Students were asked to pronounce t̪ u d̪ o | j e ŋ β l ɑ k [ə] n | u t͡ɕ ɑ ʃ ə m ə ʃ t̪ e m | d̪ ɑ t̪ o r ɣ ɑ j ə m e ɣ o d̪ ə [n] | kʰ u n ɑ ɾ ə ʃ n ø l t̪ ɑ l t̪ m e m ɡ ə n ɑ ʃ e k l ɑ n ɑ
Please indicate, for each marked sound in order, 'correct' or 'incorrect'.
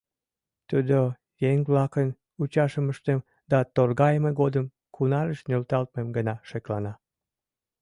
correct, incorrect: m

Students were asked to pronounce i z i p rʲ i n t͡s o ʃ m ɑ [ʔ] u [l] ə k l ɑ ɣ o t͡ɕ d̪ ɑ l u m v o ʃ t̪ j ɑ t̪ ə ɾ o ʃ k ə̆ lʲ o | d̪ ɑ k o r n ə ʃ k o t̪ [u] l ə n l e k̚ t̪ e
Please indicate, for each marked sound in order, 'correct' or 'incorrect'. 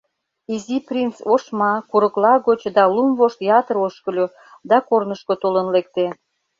incorrect: k, incorrect: ɾ, incorrect: o

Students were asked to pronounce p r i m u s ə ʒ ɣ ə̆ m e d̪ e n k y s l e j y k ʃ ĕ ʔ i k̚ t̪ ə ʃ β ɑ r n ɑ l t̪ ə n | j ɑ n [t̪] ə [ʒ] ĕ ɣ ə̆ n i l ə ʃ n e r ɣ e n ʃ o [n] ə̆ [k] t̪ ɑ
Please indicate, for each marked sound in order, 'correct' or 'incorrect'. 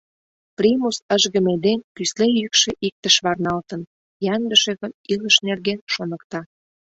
incorrect: d̪, incorrect: ʃ, correct, correct

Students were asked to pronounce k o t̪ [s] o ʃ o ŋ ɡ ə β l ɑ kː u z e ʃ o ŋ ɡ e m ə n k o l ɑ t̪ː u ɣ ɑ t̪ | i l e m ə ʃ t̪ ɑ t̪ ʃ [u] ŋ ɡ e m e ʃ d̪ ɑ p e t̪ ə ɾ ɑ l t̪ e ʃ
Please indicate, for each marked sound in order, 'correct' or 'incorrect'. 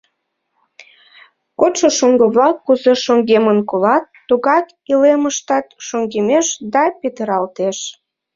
incorrect: ʃ, incorrect: o

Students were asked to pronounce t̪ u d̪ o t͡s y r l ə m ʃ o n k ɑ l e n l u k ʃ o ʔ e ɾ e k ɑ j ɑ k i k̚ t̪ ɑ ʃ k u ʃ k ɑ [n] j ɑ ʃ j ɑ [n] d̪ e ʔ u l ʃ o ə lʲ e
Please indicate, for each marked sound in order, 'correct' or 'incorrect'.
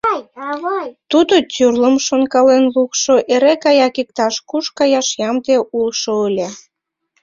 incorrect: none, incorrect: m

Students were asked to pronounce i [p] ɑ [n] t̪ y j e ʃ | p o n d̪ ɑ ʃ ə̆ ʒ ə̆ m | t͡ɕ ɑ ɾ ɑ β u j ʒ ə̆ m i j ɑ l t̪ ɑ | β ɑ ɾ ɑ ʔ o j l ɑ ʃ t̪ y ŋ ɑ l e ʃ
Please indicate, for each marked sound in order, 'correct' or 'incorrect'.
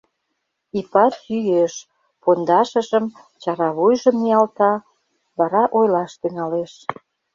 correct, incorrect: none

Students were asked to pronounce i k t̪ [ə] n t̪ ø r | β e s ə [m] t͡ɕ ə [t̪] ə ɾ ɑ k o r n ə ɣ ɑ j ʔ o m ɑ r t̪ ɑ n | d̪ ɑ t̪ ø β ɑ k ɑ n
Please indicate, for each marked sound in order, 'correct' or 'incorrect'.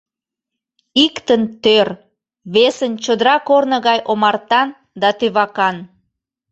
correct, incorrect: n, incorrect: d̪

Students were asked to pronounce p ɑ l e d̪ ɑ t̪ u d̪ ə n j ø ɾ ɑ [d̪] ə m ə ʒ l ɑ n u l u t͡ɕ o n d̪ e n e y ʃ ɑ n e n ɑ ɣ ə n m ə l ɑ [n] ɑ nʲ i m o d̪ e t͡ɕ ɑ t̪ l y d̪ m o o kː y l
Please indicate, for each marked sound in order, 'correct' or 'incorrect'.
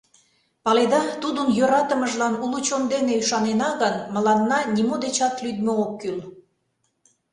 incorrect: t̪, incorrect: nː

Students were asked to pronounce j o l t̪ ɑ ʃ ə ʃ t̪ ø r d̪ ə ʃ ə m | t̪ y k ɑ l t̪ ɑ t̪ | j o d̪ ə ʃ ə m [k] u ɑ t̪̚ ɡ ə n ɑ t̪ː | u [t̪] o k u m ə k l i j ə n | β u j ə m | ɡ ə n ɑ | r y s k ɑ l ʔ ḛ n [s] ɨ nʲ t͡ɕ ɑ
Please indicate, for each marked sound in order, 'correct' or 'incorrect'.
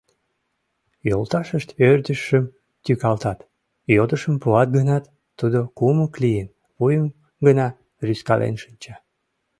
incorrect: p, incorrect: d̪, incorrect: ʃ

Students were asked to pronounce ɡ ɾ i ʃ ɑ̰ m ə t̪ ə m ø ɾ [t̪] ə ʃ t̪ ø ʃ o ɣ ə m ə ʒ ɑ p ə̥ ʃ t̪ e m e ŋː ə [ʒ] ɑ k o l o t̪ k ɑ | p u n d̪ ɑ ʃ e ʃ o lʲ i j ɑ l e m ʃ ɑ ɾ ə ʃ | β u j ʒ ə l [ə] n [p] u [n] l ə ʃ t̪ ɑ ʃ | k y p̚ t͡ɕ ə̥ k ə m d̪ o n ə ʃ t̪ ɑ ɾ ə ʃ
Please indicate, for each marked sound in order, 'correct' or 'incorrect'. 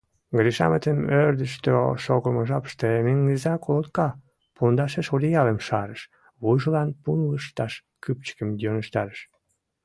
incorrect: d̪, incorrect: z, incorrect: ɑ, correct, correct

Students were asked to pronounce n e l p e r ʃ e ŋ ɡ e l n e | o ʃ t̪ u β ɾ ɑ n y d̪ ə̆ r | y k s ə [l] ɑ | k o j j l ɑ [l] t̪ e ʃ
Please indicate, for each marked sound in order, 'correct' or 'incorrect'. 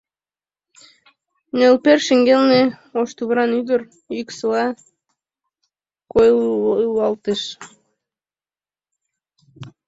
correct, correct

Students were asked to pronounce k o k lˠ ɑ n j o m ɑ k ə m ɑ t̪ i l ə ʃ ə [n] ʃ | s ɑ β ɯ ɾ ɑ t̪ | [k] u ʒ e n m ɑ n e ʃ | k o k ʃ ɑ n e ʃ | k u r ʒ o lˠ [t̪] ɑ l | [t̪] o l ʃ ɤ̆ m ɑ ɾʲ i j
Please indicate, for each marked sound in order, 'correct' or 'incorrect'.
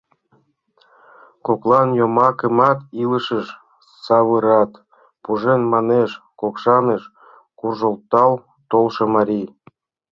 incorrect: none, incorrect: p, correct, correct

